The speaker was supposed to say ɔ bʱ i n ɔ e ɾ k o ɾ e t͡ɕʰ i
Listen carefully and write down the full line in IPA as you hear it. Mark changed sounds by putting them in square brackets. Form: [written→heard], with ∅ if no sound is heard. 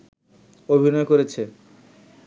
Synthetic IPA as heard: [ɔ→o] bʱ i n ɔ e [ɾ→∅] k o ɾ e t͡ɕʰ [i→e]